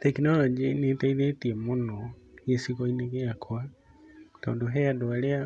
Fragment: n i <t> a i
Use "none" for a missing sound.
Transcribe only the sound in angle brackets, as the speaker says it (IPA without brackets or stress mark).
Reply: t